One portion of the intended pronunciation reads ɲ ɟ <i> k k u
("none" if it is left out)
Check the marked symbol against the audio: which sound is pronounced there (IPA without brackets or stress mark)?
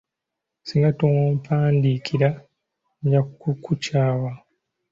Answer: a